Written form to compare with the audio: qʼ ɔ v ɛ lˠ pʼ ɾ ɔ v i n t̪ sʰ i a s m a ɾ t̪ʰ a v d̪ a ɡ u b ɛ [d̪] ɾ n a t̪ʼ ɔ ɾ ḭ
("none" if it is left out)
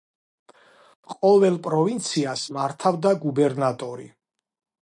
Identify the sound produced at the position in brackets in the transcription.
none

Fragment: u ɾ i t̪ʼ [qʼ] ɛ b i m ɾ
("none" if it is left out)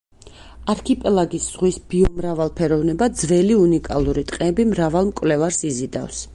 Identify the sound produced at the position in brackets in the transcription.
qʼ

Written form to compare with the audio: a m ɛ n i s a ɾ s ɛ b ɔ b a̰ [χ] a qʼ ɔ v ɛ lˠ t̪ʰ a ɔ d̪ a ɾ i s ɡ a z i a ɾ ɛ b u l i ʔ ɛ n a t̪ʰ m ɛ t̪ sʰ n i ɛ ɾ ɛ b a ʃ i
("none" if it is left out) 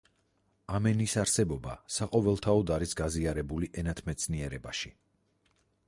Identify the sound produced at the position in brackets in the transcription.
s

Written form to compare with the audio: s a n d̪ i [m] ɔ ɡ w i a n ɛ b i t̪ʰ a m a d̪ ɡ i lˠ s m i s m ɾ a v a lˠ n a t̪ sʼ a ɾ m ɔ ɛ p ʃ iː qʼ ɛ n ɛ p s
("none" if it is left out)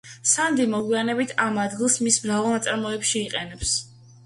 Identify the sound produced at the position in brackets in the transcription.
m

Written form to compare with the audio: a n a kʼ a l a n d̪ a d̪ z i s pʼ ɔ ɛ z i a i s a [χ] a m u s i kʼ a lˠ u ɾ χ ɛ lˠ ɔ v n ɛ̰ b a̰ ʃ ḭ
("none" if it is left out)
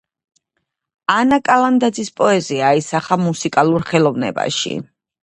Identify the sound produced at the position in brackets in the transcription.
χ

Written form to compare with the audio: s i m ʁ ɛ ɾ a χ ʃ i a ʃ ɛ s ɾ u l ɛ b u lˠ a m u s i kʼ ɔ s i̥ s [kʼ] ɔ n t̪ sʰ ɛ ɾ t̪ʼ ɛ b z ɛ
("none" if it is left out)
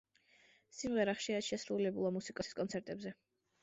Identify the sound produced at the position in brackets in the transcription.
kʼ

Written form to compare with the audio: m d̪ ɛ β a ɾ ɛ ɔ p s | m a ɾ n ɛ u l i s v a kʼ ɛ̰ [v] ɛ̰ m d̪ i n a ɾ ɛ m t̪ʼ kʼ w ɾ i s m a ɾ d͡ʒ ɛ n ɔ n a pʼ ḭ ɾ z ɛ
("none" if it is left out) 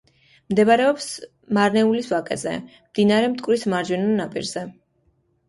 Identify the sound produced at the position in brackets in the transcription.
z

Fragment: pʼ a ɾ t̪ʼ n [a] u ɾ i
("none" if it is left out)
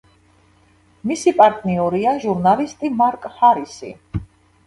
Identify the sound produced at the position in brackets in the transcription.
i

